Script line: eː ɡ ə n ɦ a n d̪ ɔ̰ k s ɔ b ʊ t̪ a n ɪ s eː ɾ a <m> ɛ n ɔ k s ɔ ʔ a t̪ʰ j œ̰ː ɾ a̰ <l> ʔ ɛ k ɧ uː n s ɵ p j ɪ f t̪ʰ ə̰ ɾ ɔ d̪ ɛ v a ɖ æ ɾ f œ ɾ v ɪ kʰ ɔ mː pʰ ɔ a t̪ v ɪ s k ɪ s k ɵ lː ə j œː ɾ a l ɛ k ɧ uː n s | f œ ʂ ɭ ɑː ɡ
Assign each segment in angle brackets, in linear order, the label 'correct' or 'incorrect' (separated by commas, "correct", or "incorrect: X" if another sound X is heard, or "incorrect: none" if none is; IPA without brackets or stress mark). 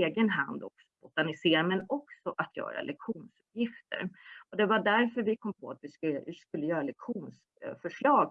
correct, correct